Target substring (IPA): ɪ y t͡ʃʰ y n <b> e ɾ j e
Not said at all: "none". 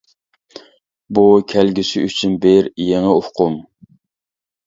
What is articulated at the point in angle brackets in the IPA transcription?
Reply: b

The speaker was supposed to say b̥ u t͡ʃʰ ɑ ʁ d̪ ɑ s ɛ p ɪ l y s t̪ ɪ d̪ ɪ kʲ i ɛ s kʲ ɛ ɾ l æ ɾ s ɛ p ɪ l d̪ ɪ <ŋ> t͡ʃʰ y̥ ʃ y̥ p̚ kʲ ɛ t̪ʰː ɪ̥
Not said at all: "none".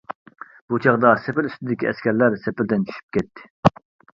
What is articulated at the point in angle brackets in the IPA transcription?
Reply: n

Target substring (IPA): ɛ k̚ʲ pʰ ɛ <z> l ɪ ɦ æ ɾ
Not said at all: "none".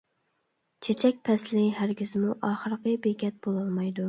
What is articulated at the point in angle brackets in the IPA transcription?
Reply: s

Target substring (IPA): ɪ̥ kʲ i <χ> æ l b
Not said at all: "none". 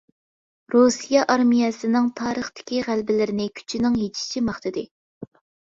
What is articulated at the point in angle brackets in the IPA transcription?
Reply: ʁ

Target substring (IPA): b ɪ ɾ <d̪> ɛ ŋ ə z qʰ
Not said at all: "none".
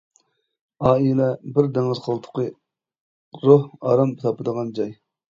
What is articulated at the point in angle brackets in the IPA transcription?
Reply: d̪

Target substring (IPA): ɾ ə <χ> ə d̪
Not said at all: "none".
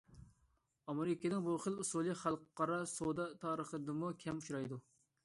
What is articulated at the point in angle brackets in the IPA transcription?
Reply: χ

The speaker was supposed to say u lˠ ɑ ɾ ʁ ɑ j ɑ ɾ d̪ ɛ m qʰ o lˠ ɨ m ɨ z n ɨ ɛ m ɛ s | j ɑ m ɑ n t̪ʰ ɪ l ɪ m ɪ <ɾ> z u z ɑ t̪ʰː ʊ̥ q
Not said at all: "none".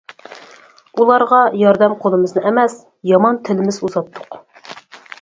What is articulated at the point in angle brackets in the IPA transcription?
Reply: none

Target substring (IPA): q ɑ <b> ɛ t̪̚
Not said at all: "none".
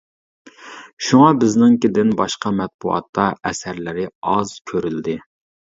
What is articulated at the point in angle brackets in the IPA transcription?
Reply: m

